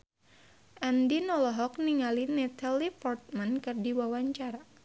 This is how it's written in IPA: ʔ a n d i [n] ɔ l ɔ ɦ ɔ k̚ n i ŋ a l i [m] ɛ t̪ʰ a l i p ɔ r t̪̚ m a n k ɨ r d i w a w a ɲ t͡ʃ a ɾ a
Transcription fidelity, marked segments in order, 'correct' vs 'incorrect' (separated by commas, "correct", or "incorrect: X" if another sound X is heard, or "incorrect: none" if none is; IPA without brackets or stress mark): correct, incorrect: n